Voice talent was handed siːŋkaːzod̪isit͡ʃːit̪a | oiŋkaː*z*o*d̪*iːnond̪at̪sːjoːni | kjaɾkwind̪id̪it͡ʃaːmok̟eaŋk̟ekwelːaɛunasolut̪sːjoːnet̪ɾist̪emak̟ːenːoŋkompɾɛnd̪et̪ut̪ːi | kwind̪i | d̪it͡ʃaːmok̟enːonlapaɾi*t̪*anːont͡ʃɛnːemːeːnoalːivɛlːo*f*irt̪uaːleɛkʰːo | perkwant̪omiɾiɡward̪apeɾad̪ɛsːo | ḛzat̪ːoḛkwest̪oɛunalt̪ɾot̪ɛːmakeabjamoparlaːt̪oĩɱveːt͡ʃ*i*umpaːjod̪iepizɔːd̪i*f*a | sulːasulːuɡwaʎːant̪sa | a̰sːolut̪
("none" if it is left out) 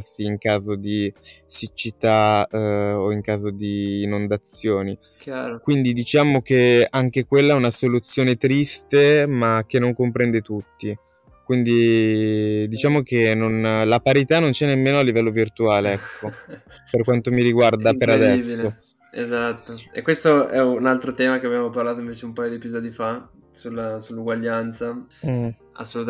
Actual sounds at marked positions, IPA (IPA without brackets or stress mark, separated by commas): z, d̪, t̪, v, e, f